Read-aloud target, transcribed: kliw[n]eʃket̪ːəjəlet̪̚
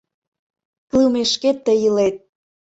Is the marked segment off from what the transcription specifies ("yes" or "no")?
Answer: yes